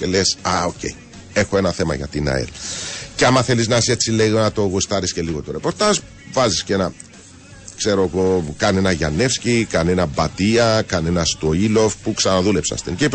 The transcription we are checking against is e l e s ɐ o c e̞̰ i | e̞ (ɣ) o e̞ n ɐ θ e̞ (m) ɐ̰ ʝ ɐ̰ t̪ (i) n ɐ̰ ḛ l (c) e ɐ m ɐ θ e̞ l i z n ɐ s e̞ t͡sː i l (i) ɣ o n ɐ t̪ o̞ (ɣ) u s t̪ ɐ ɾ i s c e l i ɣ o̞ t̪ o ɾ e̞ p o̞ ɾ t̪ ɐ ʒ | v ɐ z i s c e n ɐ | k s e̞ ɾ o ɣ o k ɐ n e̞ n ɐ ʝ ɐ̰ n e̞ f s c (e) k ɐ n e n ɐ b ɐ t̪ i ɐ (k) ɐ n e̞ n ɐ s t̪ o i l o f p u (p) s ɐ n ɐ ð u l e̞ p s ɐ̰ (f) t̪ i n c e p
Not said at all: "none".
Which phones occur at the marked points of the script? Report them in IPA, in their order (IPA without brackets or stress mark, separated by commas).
x, m, i, c, e, ɣ, i, k, k, s